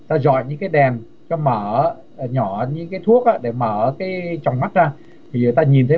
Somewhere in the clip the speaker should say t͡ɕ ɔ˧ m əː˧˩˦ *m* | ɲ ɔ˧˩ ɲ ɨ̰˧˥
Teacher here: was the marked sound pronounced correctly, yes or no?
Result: no